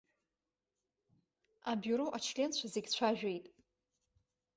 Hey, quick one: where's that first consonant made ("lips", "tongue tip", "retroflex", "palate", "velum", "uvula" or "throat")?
lips